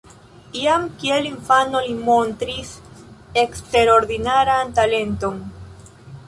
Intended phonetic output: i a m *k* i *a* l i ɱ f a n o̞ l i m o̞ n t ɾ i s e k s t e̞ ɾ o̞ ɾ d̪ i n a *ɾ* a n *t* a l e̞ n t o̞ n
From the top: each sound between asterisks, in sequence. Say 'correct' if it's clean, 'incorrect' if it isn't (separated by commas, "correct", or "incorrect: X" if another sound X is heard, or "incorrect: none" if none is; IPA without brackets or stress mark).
correct, incorrect: e, correct, correct